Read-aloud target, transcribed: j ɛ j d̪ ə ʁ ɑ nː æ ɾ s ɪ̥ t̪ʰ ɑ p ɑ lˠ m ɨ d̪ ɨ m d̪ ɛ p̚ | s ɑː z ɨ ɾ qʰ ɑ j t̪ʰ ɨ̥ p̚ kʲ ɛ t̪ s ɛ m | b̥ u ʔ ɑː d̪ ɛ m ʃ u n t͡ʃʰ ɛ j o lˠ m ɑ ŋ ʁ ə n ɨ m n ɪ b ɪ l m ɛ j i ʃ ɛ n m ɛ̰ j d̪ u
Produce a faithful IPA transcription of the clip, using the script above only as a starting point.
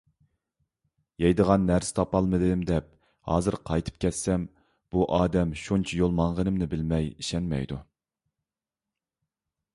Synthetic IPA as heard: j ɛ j d̪ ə ʁ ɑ nː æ ɾ s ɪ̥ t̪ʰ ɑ p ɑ lˠ m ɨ d̪ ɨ m d̪ ɛ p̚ | h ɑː z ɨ ɾ qʰ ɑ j t̪ʰ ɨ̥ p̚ kʲ ɛ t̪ s ɛ m | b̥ u ʔ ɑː d̪ ɛ m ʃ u n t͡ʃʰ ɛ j o lˠ m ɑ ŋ ʁ ə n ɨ m n ɪ b ɪ l m ɛ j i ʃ ɛ n m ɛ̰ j d̪ u